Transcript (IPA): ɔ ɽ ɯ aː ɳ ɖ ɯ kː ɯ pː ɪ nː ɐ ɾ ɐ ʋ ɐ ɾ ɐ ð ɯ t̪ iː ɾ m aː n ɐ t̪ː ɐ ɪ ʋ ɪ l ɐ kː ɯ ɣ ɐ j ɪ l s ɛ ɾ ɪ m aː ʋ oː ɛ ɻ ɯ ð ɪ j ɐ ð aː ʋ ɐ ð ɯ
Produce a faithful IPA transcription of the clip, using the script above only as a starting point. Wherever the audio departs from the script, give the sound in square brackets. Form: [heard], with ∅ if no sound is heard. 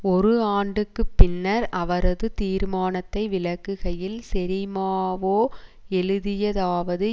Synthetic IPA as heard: ɔ [ɾ] ɯ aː ɳ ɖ ɯ kː ɯ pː ɪ nː ɐ ɾ ɐ ʋ ɐ ɾ ɐ ð ɯ t̪ iː ɾ m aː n ɐ t̪ː ɐ ɪ ʋ ɪ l ɐ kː ɯ ɣ ɐ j ɪ l s ɛ ɾ ɪ m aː ʋ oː ɛ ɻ ɯ ð ɪ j ɐ ð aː ʋ ɐ ð ɯ